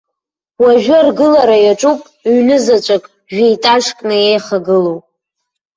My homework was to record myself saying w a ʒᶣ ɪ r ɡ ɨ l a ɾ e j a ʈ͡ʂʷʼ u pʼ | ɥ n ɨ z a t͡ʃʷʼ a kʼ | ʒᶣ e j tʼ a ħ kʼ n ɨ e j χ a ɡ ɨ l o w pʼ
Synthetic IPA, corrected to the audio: w a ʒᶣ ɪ r ɡ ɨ l a ɾ a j a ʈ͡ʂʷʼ u pʼ | ɥ n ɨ z a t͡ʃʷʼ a kʼ | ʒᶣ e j tʼ a ʂ kʼ n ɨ e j χ a ɡ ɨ l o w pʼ